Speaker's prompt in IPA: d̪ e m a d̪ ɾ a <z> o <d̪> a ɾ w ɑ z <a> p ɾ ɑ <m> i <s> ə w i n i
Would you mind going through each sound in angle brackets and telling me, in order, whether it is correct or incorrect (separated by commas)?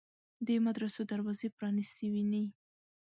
incorrect, correct, incorrect, incorrect, correct